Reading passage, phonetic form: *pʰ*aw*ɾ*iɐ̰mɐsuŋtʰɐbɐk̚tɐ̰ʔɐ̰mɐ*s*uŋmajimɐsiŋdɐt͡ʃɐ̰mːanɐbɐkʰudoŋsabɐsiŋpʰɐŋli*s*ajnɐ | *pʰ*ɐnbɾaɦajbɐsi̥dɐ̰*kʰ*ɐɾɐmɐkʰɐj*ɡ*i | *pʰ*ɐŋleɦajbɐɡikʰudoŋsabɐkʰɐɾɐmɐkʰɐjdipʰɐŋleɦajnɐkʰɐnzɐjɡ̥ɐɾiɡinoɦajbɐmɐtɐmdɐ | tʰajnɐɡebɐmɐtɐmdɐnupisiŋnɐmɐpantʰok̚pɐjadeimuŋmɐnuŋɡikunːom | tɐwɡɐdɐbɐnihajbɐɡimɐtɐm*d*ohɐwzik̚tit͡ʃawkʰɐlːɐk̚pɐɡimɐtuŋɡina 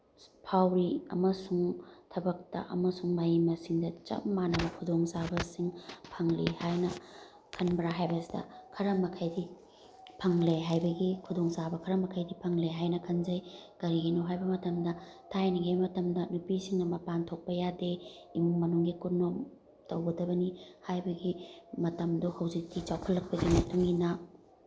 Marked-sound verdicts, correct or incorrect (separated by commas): correct, correct, correct, incorrect, incorrect, correct, incorrect, correct, correct